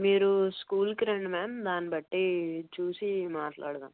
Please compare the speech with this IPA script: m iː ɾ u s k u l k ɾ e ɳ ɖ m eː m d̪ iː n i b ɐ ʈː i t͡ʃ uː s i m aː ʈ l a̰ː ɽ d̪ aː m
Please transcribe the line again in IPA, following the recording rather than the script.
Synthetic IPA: m iː ɾ u s k uː l k ɾ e ɳ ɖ m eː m d̪ aː n i b ɐ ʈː i t͡ʃ uː s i m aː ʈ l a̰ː ɽ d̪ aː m